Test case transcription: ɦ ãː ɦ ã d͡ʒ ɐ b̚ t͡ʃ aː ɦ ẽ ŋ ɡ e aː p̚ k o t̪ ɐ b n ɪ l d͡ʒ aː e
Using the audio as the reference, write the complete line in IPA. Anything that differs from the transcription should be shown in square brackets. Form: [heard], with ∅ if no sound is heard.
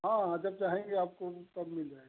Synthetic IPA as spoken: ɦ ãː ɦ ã d͡ʒ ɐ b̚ t͡ʃ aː ɦ ẽ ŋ ɡ e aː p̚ k o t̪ ɐ b [m] ɪ l d͡ʒ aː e